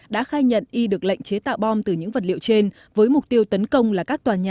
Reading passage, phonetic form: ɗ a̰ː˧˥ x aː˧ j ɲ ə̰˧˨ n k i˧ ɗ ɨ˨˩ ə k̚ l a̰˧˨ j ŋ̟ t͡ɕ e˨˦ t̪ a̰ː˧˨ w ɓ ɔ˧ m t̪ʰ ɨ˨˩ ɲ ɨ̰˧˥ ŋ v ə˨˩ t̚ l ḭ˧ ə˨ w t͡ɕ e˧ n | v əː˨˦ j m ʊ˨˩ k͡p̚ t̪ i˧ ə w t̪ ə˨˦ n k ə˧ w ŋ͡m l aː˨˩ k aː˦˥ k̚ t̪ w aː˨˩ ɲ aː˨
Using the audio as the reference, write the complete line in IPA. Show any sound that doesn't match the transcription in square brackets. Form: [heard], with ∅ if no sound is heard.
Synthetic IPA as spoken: ɗ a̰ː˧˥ x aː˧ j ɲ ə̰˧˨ n [ʔ] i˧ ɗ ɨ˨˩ ə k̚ l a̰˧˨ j ŋ̟ t͡ɕ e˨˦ t̪ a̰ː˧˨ w ɓ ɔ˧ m [t̪] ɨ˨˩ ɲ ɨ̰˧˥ ŋ v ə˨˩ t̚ l ḭ˧ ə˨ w t͡ɕ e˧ n | v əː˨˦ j m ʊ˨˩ k͡p̚ t̪ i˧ ə w t̪ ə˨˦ n k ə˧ w ŋ͡m l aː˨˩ k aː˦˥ k̚ t̪ w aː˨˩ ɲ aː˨